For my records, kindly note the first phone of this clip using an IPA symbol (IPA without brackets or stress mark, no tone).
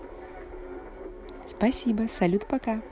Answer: s